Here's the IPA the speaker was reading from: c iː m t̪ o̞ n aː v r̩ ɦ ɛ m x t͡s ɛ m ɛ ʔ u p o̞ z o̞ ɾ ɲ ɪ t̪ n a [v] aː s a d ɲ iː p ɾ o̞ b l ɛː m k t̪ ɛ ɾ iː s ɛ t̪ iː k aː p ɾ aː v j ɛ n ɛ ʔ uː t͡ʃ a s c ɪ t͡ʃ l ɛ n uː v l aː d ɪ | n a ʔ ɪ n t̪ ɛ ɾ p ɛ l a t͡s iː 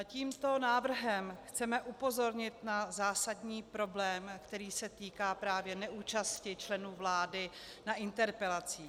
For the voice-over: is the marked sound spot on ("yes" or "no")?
no